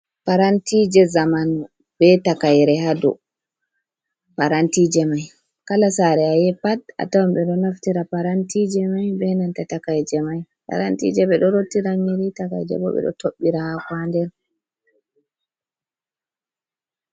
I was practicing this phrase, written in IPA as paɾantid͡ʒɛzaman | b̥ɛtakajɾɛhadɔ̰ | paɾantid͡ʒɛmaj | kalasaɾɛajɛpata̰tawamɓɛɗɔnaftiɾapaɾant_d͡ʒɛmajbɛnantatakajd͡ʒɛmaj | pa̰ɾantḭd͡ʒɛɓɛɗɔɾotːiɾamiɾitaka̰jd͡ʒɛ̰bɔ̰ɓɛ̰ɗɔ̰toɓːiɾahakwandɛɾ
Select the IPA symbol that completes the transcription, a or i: i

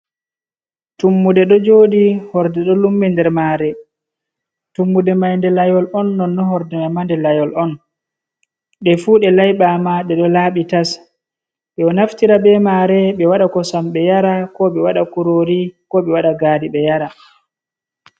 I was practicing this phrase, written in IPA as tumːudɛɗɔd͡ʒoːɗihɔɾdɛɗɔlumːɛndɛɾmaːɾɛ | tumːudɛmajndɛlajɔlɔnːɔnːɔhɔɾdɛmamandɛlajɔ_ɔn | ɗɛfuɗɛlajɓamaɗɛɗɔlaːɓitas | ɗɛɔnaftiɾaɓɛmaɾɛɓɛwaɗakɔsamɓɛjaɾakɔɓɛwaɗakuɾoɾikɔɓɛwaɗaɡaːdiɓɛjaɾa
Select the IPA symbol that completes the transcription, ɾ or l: l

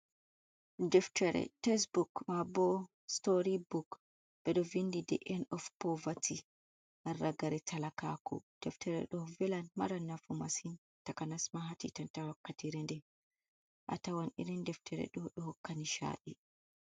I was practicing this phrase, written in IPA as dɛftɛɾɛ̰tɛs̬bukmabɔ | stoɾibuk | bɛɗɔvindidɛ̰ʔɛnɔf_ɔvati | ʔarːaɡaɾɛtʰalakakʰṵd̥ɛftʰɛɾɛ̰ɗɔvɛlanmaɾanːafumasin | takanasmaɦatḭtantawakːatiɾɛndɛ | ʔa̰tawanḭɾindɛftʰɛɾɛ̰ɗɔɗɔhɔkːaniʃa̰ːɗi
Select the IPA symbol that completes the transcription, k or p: p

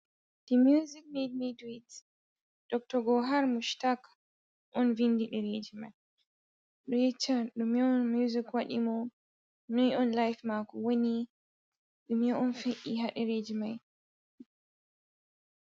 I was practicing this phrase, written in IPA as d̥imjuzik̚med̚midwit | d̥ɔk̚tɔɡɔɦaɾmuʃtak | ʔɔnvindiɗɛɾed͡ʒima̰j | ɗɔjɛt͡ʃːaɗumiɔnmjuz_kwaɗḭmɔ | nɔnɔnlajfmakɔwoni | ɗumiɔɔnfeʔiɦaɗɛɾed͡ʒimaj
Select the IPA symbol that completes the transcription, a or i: i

